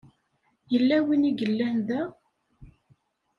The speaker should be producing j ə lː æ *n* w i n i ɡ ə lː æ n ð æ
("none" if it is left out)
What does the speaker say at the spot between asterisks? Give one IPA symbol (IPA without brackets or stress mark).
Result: none